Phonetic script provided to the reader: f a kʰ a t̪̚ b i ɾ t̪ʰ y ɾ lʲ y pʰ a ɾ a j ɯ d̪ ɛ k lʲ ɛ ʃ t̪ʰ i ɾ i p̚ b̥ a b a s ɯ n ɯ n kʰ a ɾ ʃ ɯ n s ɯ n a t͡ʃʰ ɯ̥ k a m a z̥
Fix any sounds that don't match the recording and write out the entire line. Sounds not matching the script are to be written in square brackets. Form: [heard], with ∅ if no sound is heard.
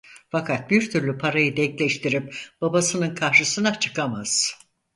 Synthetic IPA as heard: f a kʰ a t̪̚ b i ɾ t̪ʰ y ɾ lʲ y pʰ a ɾ a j ɯ d̪ ɛ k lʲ ɛ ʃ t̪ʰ i ɾ i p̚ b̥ a b a s ɯ n ɯ n kʰ a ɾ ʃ ɯ [∅] s ɯ n a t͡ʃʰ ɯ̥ k a m a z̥